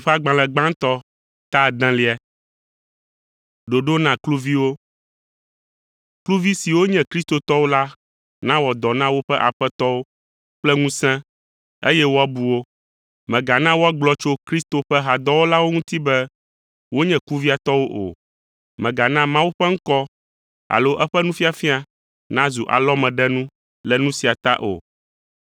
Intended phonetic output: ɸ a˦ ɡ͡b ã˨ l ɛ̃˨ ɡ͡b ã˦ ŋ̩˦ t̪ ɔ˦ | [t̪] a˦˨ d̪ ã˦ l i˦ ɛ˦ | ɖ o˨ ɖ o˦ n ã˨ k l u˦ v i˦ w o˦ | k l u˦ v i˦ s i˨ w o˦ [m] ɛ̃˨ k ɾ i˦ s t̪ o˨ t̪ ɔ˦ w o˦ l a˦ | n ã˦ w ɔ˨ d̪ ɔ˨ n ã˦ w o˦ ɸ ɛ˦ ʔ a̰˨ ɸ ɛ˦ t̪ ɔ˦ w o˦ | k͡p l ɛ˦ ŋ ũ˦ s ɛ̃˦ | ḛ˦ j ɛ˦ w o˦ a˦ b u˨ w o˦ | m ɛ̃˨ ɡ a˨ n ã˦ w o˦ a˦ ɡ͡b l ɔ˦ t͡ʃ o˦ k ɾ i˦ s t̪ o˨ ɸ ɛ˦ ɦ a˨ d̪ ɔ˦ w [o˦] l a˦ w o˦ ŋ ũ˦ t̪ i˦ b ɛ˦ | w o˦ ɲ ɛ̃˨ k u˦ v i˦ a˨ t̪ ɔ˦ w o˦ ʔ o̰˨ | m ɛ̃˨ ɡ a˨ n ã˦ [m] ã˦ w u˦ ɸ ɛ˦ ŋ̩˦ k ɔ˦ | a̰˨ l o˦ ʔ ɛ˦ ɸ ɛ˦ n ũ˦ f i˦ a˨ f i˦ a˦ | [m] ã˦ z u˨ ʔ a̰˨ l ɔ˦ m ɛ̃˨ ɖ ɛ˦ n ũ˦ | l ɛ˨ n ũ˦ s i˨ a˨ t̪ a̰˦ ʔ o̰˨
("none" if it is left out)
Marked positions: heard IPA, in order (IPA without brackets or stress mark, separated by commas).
t̪, ɲ, o˦, m, n